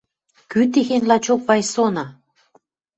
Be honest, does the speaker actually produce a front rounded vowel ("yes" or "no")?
yes